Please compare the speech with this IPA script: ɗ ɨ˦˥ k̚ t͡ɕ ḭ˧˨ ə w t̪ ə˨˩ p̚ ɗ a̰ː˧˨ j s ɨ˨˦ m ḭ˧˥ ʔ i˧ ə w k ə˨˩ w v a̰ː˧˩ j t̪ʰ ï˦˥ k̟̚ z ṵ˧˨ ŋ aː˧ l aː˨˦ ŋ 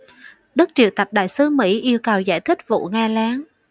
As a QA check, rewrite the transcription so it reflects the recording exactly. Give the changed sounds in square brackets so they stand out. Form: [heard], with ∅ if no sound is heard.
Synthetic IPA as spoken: ɗ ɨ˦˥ k̚ t͡ɕ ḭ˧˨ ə w t̪ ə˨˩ p̚ ɗ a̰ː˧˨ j s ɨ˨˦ m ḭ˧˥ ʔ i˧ ə w k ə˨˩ w [z] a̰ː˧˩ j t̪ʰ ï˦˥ k̟̚ [v] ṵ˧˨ ŋ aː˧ l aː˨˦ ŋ